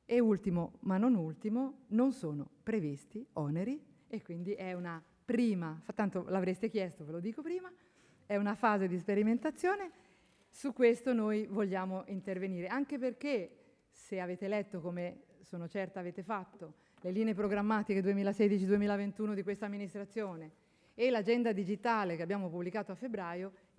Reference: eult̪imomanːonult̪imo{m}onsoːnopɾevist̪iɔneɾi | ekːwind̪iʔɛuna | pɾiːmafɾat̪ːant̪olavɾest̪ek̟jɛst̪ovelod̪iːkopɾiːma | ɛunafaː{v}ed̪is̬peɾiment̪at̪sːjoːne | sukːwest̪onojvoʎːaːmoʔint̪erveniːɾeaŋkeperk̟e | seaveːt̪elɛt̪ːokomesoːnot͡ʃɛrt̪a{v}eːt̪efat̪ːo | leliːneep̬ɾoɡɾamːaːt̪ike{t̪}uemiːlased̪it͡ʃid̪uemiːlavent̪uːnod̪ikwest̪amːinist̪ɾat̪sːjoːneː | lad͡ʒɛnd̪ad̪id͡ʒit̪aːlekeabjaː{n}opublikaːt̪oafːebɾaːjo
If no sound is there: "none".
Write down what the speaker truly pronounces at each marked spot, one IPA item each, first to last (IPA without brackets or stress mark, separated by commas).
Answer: n, z, v, d̪, m